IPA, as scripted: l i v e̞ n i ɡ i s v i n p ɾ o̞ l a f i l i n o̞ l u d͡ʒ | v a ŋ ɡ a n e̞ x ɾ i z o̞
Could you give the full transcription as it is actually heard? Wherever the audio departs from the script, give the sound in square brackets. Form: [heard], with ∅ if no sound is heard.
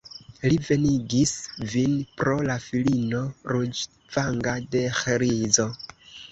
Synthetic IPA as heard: l i v e̞ n i ɡ i s v i n p ɾ o̞ l a f i l i n o̞ [ɾ] u d͡ʒ | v a ŋ ɡ a [d] e̞ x ɾ i z o̞